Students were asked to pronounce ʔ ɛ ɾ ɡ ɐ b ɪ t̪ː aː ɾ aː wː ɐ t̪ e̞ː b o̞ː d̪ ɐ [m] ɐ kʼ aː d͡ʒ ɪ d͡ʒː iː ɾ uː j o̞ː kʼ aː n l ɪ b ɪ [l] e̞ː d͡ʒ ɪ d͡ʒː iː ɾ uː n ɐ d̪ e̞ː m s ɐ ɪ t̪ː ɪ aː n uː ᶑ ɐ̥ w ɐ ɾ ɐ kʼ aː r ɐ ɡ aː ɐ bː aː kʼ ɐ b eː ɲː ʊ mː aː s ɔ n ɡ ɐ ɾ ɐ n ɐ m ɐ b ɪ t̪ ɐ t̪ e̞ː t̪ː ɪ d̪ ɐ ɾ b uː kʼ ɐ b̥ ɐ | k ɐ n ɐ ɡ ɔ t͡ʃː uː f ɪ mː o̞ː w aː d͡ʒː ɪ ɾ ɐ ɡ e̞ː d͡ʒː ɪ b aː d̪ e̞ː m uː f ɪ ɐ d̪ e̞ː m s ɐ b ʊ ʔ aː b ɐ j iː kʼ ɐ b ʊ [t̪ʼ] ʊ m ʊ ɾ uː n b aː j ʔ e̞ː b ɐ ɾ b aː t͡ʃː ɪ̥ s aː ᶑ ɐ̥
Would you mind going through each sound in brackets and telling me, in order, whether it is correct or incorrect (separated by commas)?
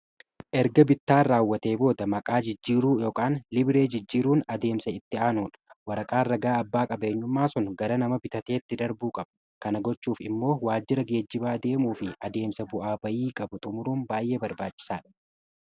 correct, incorrect, correct